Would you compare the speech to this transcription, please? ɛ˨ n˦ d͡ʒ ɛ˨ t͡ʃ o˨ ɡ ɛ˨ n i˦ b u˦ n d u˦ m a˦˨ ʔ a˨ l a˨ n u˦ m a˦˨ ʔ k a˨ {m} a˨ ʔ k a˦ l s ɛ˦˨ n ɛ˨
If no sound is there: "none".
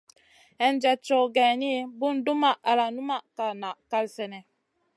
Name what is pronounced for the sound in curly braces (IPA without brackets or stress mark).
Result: n